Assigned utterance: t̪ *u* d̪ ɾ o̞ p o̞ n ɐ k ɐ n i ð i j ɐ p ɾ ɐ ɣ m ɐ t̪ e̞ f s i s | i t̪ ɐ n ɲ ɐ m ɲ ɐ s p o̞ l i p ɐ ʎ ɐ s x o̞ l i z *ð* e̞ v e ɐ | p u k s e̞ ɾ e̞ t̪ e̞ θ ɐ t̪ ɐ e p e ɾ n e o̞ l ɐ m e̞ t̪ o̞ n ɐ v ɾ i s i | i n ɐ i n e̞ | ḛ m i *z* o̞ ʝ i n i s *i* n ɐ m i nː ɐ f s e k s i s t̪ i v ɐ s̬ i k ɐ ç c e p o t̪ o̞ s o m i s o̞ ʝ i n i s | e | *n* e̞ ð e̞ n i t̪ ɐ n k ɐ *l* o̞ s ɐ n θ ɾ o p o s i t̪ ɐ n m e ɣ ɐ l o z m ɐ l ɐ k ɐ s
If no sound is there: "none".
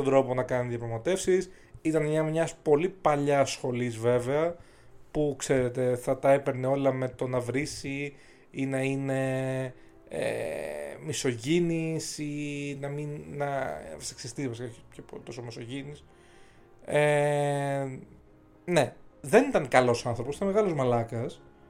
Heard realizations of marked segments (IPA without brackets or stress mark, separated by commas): o, v, s, i, n, l